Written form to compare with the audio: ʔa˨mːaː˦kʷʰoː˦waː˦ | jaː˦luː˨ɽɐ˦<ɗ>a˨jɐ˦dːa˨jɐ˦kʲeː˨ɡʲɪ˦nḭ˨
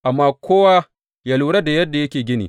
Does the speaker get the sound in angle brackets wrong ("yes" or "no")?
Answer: yes